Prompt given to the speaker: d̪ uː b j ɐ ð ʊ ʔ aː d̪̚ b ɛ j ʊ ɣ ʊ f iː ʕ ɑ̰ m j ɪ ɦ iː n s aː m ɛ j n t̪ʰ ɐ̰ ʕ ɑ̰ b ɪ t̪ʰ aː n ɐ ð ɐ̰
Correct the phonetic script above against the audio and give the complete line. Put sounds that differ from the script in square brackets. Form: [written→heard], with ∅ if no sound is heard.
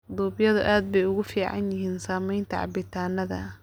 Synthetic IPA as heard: d̪ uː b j ɐ ð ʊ ʔ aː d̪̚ b ɛ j ʊ ɣ ʊ f iː ʕ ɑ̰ [m→n] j ɪ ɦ iː n s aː m ɛ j n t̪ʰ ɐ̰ ʕ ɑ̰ b ɪ t̪ʰ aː n ɐ ð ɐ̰